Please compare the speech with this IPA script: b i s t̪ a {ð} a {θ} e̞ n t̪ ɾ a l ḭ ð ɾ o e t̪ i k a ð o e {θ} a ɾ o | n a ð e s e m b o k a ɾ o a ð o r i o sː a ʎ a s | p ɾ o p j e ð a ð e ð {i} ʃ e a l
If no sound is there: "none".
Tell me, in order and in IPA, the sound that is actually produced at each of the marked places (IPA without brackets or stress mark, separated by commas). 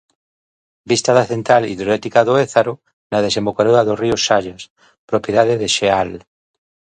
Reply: ð, θ, θ, e